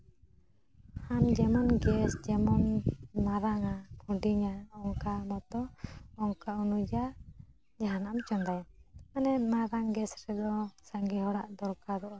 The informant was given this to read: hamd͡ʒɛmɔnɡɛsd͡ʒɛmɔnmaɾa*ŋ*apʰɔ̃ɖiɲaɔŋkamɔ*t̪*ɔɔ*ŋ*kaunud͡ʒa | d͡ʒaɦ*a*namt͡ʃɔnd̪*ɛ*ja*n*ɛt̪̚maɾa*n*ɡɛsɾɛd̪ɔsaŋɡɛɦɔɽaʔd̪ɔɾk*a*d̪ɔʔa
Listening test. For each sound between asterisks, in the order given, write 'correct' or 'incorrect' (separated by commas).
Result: correct, correct, correct, correct, incorrect, correct, incorrect, correct